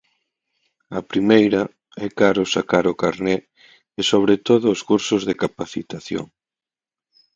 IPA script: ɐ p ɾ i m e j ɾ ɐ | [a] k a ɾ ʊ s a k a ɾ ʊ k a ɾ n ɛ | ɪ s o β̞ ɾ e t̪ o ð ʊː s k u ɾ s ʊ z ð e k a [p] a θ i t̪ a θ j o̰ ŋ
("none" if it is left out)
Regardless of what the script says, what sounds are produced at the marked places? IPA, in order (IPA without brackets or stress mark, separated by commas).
ɛ, p